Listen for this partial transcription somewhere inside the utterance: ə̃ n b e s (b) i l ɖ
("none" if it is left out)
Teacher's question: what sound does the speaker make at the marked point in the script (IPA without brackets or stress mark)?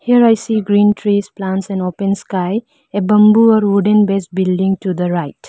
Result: b